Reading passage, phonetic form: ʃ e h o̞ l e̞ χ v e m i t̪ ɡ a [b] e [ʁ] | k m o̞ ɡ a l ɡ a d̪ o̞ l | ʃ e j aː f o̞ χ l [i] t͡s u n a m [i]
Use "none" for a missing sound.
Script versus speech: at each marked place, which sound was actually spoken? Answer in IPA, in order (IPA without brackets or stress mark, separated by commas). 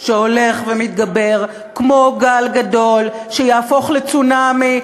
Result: b, ʁ, e, i